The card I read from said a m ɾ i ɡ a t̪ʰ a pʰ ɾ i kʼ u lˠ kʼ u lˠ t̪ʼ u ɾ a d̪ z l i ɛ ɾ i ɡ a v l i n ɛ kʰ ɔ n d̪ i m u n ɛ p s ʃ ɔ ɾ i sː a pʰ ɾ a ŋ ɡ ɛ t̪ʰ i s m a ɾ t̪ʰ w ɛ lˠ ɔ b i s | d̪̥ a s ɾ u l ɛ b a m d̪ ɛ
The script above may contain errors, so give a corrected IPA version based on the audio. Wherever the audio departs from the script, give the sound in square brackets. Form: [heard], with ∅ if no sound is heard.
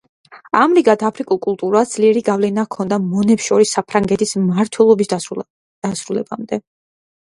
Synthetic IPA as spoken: a m ɾ i ɡ a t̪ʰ a pʰ ɾ i kʼ u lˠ kʼ u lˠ t̪ʼ u ɾ a d̪ z l i ɛ ɾ i ɡ a v l [ɛ] n [a] kʰ ɔ n d̪ [a] m [ɔ] n ɛ p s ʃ ɔ ɾ i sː a pʰ ɾ a ŋ ɡ ɛ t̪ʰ i s m a ɾ t̪ʰ w ɛ lˠ ɔ b i s | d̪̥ a s ɾ u l ɛ b a m d̪ ɛ

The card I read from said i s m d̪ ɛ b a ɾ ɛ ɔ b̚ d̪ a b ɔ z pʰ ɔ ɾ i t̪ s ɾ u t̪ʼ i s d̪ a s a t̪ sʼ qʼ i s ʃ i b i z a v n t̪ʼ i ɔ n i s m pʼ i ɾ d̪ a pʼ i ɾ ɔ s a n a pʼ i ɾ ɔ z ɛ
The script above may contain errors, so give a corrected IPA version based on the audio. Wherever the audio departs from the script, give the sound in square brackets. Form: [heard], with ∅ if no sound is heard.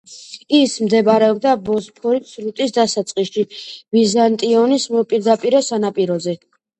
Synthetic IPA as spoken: i s m d̪ ɛ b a ɾ ɛ ɔ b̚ d̪ a b ɔ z pʰ ɔ ɾ i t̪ s ɾ u t̪ʼ i s d̪ a s a t̪ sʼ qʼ i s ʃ i [v] i z a [∅] n t̪ʼ i ɔ n i s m pʼ i ɾ d̪ a pʼ i ɾ ɔ s a n a pʼ i ɾ ɔ z ɛ

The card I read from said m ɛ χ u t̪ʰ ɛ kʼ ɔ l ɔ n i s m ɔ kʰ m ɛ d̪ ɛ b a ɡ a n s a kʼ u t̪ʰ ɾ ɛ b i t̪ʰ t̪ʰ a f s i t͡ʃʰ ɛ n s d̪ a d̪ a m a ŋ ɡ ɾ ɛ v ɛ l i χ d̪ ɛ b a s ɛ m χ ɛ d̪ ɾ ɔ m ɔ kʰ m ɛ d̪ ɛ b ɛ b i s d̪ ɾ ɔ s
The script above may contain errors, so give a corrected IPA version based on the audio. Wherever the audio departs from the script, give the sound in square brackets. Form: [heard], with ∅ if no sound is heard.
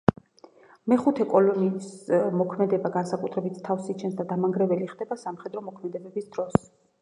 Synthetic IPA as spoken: m ɛ χ u t̪ʰ ɛ kʼ ɔ l ɔ n i s m ɔ kʰ m ɛ d̪ ɛ b a ɡ a n s a kʼ u t̪ʰ ɾ ɛ b i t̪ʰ t̪ʰ a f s i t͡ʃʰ ɛ n s d̪ a d̪ a m a ŋ ɡ ɾ ɛ v ɛ l i χ d̪ ɛ b a s [a] m χ ɛ d̪ ɾ ɔ m ɔ kʰ m ɛ d̪ ɛ b ɛ b i s d̪ ɾ ɔ s

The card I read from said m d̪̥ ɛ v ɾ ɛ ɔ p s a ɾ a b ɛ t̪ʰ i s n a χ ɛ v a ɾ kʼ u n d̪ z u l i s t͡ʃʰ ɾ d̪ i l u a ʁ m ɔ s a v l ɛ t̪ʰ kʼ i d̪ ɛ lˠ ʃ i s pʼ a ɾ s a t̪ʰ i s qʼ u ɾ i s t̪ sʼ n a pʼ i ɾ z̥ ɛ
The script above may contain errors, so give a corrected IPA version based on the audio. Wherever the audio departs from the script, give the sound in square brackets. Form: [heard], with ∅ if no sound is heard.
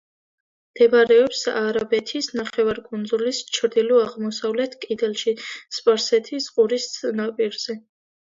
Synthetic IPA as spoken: m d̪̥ ɛ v ɾ ɛ ɔ p s a ɾ a b ɛ t̪ʰ i s n a χ ɛ v a ɾ kʼ u n d̪ z u l i s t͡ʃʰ ɾ d̪ i l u a ʁ m ɔ s a v l ɛ t̪ʰ kʼ i d̪ ɛ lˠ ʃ i s pʼ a ɾ s [ɛ] t̪ʰ i s qʼ u ɾ i s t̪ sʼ n a pʼ i ɾ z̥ ɛ

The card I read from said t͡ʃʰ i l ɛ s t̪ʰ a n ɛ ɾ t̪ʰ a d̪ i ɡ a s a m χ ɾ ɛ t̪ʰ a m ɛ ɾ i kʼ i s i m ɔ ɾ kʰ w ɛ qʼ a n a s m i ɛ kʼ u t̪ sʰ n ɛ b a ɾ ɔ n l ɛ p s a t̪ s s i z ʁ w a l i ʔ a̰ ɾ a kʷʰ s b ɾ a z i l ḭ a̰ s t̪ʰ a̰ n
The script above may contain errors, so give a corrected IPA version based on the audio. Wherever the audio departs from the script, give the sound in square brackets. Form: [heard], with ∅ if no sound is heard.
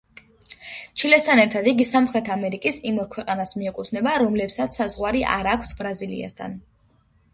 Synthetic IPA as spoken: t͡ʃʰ i l ɛ s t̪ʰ a n ɛ ɾ t̪ʰ a d̪ i ɡ [i] s a m χ ɾ ɛ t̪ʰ a m ɛ ɾ i kʼ i s i m ɔ ɾ kʰ w ɛ qʼ a n a s m i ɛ kʼ u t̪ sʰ n ɛ b a ɾ ɔ [m] l ɛ p s a t̪ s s [a] z ʁ w a [ɾ] i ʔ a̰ ɾ a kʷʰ s b ɾ a z i l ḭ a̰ s t̪ʰ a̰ n

